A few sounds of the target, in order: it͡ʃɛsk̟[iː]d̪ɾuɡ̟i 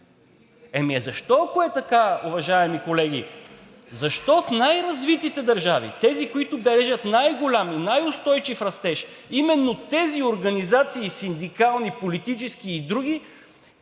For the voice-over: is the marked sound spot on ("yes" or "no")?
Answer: yes